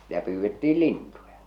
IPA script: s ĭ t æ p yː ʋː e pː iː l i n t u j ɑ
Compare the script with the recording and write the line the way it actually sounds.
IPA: s ĭ t æ p yː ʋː e tː iː l i n t u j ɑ